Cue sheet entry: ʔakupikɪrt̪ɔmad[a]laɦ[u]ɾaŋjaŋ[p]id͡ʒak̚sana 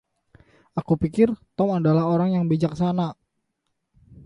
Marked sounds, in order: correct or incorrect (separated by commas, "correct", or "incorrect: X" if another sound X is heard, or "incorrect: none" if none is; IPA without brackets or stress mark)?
correct, incorrect: o, incorrect: b